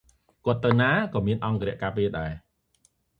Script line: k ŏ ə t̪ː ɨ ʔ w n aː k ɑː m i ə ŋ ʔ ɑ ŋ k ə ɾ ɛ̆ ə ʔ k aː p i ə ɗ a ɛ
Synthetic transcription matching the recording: k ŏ ə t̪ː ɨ w n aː k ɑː m i ə n ʔ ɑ ŋ k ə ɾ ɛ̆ ə ʔ k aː p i ə ɗ a ɛ